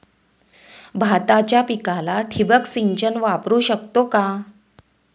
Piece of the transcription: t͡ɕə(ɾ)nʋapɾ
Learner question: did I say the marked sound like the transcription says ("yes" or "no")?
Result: no